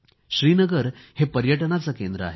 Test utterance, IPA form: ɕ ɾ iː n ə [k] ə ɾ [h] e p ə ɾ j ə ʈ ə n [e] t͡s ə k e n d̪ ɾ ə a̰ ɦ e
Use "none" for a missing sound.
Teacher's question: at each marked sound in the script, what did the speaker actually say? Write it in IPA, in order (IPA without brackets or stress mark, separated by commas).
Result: ɡ, h, a